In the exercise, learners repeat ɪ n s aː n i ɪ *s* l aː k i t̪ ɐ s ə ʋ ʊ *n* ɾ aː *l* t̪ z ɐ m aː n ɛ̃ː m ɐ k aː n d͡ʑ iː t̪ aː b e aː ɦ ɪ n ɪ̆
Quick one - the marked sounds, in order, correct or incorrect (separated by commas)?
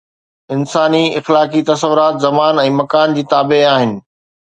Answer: incorrect, incorrect, incorrect